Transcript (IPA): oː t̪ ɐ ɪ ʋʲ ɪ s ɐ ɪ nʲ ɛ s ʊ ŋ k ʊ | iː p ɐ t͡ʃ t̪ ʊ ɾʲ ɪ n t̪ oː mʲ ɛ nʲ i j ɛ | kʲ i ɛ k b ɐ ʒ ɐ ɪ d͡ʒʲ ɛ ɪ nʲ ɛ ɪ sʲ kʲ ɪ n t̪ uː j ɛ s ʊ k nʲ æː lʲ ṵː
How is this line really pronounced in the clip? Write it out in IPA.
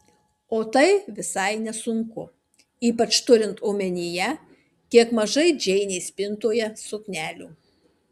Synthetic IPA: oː t̪ ɐ ɪ ʋʲ ɪ s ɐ ɪ nʲ ɛ s ʊ ŋ k ʊ | iː p ɐ t͡ʃ t̪ ʊ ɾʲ ɪ n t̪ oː mʲ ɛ nʲ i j ɛ | kʲ i ɛ k m ɐ ʒ ɐ ɪ d͡ʒʲ ɛ ɪ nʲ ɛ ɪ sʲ pʲ ɪ n t̪ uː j ɛ s ʊ k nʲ æː lʲ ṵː